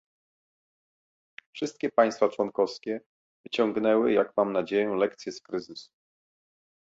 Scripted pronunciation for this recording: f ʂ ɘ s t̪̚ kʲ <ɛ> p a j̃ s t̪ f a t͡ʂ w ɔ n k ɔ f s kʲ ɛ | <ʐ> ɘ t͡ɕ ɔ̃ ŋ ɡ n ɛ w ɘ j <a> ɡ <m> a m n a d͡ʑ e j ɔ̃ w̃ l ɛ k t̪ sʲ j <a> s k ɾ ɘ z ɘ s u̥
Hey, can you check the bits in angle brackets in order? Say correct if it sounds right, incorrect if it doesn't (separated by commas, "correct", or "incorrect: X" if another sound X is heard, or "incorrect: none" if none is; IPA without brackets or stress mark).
correct, incorrect: v, correct, correct, incorrect: ɛ